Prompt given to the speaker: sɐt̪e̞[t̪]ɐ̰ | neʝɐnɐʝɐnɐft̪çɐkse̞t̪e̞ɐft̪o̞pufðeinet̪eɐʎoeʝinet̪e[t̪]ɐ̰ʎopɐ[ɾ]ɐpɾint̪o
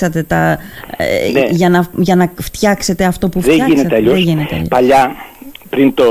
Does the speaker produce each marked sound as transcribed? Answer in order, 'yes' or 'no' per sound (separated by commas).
yes, no, no